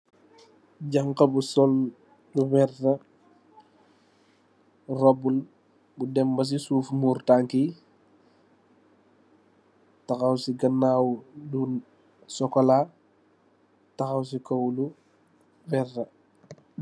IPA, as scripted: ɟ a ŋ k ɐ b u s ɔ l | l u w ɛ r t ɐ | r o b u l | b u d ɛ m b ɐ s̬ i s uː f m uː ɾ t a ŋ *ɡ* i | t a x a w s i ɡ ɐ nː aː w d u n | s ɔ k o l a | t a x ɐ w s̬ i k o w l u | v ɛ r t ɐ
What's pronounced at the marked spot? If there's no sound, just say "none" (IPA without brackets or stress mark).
k